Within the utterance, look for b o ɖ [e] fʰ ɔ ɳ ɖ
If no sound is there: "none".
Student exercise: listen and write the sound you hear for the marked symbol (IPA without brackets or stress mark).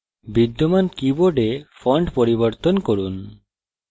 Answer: e